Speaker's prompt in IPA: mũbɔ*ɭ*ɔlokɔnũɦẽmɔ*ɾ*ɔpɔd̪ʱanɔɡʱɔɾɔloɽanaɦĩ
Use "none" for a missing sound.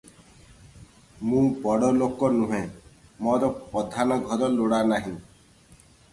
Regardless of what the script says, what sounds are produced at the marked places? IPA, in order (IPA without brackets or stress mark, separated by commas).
ɽ, ɾ